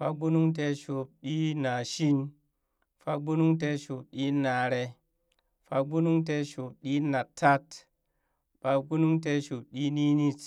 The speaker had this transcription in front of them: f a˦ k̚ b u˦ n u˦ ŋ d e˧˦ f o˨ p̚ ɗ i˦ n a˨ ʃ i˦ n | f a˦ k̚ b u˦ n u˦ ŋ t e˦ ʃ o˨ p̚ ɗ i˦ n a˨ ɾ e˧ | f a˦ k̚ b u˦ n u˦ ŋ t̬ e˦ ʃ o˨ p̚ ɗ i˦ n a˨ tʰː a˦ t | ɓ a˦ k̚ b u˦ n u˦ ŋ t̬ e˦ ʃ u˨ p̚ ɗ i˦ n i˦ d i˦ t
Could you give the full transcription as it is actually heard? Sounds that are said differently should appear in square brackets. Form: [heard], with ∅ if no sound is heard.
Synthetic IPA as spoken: f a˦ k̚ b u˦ n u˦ ŋ [t] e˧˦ [ʃ] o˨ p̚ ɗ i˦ n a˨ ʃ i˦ n | f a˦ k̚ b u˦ n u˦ ŋ t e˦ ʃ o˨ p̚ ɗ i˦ n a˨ ɾ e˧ | f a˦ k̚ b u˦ n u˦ ŋ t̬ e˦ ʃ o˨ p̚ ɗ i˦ n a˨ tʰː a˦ t | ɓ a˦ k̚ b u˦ n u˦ ŋ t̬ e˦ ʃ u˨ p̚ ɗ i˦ n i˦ [n] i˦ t